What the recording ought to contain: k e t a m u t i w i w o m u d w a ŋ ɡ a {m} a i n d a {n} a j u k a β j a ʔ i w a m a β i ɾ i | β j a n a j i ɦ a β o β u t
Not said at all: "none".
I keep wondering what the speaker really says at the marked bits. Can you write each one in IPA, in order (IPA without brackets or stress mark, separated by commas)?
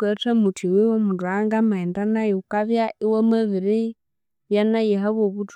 m, n